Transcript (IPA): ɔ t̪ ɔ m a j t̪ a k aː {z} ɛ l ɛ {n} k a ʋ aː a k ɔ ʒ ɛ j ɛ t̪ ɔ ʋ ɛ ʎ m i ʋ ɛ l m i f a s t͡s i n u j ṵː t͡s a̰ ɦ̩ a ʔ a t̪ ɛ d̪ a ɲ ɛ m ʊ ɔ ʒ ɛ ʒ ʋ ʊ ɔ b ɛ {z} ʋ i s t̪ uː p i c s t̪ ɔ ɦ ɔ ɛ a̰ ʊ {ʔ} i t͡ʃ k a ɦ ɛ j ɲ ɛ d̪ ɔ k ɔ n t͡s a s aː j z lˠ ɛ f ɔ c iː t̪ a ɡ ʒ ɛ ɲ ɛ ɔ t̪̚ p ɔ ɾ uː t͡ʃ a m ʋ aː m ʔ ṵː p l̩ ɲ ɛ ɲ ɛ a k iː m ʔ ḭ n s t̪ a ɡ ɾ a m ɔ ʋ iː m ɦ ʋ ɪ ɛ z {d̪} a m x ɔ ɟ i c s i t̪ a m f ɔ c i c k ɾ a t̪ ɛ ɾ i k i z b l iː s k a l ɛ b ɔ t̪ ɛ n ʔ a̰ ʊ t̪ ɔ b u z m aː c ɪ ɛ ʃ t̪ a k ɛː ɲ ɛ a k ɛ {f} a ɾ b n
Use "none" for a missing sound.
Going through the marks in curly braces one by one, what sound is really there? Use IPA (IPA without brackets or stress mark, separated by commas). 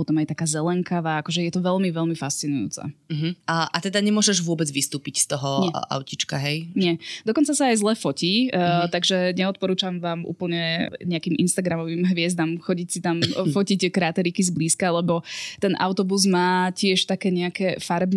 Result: z, ŋ, d͡z, c, d̪, f